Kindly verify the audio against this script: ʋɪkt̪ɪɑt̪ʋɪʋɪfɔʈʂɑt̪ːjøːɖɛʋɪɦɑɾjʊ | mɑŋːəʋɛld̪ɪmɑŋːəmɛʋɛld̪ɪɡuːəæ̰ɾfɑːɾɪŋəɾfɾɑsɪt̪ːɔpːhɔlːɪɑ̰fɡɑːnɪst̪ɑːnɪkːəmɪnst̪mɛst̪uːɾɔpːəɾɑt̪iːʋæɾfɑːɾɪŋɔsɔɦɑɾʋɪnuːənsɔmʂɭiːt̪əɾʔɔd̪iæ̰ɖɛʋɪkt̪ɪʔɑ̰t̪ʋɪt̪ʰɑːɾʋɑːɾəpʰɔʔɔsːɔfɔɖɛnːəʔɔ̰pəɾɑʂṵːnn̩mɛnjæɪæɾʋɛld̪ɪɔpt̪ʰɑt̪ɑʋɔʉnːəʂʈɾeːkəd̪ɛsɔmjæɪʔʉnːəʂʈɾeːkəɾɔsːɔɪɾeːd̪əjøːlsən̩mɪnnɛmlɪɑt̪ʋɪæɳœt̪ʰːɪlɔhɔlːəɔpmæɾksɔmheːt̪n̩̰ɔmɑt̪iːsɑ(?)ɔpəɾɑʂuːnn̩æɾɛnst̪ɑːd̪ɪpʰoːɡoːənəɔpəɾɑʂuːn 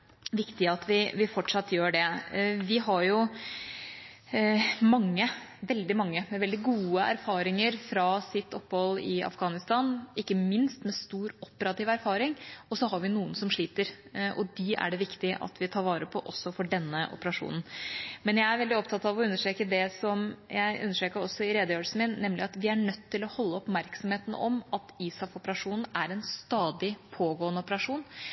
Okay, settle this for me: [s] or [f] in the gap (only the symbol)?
f